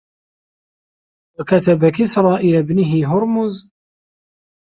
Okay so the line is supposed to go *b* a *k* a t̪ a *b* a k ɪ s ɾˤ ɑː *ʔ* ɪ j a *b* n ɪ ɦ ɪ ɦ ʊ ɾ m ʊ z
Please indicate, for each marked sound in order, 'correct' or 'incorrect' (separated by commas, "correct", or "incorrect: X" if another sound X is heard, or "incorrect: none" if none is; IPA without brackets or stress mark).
incorrect: w, correct, correct, correct, correct